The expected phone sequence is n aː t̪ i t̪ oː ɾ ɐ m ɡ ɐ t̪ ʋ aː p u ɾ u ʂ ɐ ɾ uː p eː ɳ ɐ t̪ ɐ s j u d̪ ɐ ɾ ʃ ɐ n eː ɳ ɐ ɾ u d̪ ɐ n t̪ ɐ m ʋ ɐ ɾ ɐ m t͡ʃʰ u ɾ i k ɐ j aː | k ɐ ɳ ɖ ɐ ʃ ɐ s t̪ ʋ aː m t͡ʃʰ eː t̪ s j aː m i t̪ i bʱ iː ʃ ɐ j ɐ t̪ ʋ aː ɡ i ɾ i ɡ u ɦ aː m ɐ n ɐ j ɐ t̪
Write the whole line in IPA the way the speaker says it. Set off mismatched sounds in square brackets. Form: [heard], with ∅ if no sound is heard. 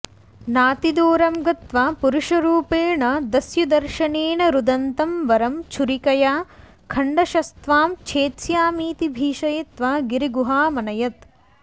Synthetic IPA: n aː t̪ i [d̪] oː ɾ ɐ m ɡ ɐ t̪ ʋ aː p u ɾ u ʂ ɐ ɾ uː p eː ɳ ɐ [d̪] ɐ s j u d̪ ɐ ɾ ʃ ɐ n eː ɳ ɐ ɾ u d̪ ɐ n t̪ ɐ m ʋ ɐ ɾ ɐ m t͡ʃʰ u ɾ i k ɐ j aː | [kʰ] ɐ ɳ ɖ ɐ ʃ ɐ s t̪ ʋ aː m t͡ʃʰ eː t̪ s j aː m [iː] t̪ i bʱ iː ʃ ɐ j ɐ t̪ ʋ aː ɡ i ɾ i ɡ u ɦ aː m ɐ n ɐ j ɐ t̪